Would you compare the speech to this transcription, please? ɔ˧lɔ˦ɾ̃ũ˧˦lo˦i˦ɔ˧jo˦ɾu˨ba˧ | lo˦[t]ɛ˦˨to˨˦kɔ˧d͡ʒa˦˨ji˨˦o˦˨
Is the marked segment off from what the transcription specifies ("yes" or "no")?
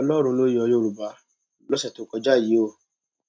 yes